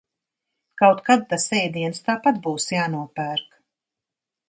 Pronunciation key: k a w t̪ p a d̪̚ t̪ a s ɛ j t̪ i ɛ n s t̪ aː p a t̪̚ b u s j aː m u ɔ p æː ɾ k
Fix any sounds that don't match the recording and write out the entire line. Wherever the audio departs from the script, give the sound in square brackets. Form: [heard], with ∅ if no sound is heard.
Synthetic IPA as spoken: k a w t̪ [k] a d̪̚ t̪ a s ɛ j [d̪] i ɛ n s t̪ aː p a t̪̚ b [uː] s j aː [n] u ɔ p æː ɾ k